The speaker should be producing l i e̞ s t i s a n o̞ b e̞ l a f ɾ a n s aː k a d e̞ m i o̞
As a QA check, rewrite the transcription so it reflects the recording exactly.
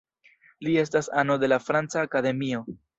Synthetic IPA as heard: l i e̞ s t a s a n o̞ d e̞ l a f ɾ a n t͡s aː k a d e̞ m i o̞